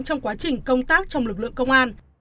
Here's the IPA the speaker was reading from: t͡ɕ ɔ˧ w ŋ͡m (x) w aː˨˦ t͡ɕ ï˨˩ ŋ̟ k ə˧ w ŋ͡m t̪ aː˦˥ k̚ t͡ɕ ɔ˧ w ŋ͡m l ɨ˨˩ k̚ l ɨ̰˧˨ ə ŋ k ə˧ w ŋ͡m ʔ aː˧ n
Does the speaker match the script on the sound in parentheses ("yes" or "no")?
no